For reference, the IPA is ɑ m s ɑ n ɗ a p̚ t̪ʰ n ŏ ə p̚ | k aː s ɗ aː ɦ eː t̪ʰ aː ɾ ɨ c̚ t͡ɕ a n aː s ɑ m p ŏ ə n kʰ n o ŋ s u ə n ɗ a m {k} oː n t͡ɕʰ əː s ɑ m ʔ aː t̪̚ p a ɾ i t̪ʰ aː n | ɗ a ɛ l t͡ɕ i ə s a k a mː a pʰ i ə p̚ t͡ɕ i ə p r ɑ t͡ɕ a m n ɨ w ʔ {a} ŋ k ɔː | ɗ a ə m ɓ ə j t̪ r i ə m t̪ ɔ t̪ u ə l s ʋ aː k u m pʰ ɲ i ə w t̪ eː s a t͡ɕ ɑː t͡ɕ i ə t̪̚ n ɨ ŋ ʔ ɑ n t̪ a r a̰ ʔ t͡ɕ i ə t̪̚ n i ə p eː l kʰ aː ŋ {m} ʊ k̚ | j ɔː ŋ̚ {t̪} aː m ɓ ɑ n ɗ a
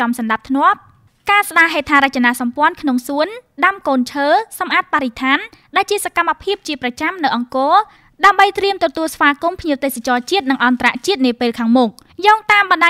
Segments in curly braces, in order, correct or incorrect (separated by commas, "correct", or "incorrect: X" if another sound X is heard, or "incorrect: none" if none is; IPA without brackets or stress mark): correct, incorrect: ɑ, correct, correct